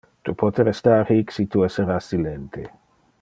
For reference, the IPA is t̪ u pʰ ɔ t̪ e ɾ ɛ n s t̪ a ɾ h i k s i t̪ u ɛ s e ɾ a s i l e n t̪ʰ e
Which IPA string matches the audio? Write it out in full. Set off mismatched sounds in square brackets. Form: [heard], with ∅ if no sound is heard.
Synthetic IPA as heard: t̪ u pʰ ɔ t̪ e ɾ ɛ [∅] s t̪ a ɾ h i k s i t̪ u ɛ s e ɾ a s i l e n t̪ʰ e